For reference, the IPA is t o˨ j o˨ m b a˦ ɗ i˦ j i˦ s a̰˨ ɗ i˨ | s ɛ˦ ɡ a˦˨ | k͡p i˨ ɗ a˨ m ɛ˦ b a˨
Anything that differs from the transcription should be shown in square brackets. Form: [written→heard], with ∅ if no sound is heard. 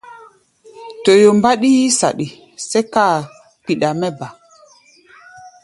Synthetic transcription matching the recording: t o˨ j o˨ m b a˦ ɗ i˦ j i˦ s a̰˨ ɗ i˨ | s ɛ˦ [ɡ→k] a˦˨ | k͡p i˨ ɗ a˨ m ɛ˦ b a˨

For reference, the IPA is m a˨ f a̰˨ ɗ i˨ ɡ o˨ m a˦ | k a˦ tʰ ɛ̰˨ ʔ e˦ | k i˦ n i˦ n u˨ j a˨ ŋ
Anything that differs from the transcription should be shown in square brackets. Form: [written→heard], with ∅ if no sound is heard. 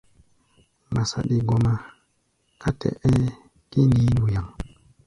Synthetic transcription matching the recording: m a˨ [f→s] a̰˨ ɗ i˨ ɡ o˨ m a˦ | k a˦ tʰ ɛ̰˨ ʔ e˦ | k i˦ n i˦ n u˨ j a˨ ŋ

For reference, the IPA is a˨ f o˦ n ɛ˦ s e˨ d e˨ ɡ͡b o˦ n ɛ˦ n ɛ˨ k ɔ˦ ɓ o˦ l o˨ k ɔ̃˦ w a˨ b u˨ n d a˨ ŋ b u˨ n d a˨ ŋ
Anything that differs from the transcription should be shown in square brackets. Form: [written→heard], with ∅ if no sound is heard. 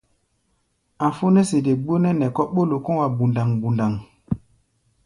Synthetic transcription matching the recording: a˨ f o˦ n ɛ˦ s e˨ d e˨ ɡ͡b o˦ n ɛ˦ n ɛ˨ k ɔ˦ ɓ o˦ l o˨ k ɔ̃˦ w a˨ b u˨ n d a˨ ŋ b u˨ n d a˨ ŋ

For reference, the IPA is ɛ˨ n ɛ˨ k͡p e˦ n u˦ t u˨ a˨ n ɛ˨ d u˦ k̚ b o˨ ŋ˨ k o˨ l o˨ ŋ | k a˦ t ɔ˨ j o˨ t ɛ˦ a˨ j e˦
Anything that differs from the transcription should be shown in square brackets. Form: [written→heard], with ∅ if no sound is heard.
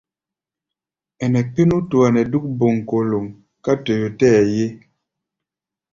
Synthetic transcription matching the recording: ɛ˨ n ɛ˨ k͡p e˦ n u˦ t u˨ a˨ n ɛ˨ d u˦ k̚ b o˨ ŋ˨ k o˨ l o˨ ŋ | k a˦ t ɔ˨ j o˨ t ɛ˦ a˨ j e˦

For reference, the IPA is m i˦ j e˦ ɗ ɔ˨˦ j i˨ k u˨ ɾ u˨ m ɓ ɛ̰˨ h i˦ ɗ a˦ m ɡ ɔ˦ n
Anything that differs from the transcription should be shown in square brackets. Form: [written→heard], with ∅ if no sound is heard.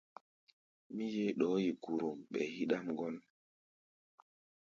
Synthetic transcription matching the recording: m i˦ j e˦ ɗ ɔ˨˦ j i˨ k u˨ ɾ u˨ m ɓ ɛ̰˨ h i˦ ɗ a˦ m ɡ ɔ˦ n

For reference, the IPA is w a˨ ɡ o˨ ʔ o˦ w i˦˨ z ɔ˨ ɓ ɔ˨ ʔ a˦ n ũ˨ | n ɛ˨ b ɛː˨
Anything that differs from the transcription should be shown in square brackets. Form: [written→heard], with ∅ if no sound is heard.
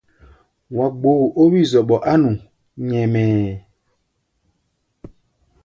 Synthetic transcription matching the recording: w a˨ [ɡ→ɡ͡b] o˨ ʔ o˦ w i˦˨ z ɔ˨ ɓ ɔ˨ ʔ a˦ n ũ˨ | [n→ɲ] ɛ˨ [b→m] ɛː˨

